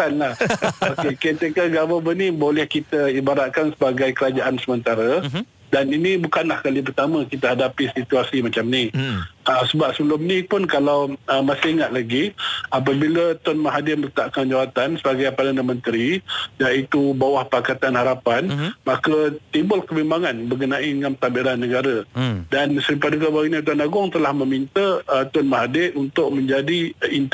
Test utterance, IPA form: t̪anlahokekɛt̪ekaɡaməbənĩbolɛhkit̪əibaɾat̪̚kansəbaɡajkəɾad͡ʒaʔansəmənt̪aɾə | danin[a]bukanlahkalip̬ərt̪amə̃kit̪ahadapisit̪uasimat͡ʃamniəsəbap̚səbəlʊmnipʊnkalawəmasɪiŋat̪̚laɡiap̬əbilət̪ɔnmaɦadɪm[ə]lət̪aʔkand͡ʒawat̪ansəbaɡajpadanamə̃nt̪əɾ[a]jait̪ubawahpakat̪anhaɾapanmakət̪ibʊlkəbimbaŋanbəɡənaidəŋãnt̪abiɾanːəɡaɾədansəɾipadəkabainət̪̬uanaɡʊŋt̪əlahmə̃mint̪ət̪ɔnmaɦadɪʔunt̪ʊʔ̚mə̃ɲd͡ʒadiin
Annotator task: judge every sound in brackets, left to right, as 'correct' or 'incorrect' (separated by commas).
incorrect, correct, incorrect